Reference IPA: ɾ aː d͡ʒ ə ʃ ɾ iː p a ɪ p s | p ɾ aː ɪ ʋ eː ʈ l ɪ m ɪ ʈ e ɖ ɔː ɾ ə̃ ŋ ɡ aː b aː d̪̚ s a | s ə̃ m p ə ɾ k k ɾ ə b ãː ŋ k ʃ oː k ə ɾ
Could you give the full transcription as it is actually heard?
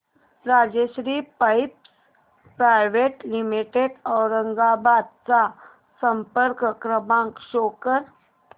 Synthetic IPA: ɾ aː d͡ʒ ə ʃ ɾ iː p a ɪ p s | p ɾ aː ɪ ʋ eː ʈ l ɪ m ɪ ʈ e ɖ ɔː ɾ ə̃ ŋ ɡ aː b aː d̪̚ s a | s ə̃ m p ə ɾ k k ɾ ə b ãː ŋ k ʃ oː k ə ɾ

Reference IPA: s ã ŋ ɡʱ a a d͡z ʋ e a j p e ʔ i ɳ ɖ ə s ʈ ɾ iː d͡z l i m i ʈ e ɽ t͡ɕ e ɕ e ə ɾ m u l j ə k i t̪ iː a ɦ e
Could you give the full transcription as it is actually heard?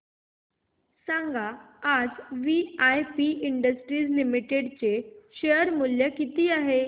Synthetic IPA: s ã ŋ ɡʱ a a d͡z ʋ i a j p i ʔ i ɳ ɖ ə s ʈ ɾ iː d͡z l i m i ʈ e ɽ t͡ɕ e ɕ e ə ɾ m u l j ə k i t̪ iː a ɦ e

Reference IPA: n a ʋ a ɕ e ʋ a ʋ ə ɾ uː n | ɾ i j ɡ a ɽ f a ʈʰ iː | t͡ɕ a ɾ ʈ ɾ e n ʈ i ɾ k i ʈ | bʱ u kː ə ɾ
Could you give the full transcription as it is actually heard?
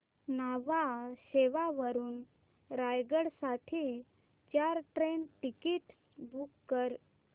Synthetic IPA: n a ʋ a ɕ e ʋ a ʋ ə ɾ uː n | ɾ a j ɡ ə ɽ s a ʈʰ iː | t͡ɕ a ɾ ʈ ɾ e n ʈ i k i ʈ | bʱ u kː ə ɾ

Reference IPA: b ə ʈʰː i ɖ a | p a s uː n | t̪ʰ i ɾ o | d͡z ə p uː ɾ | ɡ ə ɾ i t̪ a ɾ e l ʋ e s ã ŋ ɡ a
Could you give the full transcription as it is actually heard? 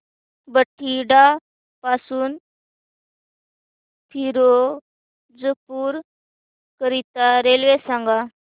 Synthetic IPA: b ə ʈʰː i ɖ a | p a s uː n | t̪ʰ i ɾ o | d͡z ə p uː ɾ | k ə ɾ i t̪ a ɾ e l ʋ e s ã ŋ ɡ a

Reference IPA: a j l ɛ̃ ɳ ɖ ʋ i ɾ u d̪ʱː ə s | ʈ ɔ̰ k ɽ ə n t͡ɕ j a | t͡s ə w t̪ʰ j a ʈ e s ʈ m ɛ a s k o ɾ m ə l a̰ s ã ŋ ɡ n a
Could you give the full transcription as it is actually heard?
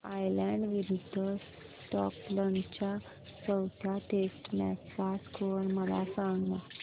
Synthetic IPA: a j l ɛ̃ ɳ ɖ ʋ i ɾ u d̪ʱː ə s | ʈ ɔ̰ k l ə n t͡ɕ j a | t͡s ə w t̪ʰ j a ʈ e s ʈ m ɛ a s k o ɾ m ə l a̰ s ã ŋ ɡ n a

